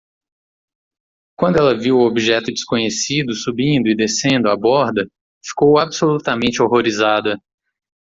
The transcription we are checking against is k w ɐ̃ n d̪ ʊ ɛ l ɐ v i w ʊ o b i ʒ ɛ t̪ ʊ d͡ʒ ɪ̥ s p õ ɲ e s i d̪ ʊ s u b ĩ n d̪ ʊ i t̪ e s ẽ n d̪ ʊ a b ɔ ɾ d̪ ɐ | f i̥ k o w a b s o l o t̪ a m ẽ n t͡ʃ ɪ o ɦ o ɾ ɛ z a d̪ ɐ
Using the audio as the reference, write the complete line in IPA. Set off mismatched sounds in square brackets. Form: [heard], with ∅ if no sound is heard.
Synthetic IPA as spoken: k w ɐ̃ n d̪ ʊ ɛ l ɐ v i w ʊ o b i ʒ ɛ t̪ ʊ d͡ʒ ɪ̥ s [k] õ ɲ e s i d̪ ʊ s u b ĩ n d̪ ʊ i [d̪] e s ẽ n d̪ ʊ a b ɔ ɾ d̪ ɐ | f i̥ k o w a b s o l [u] t̪ a m ẽ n t͡ʃ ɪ o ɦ o ɾ [i] z a d̪ ɐ